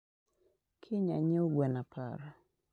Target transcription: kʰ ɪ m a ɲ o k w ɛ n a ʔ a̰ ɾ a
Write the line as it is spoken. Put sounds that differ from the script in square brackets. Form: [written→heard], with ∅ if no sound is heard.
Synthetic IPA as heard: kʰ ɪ [m→ɲ] a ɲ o [k→ɡ] w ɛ n a [ʔ→p] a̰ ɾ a